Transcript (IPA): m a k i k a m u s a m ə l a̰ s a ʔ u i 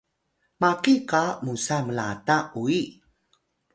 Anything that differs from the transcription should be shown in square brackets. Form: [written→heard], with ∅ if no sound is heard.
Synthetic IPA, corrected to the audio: m a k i k a m u s a m ə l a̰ [s→t] a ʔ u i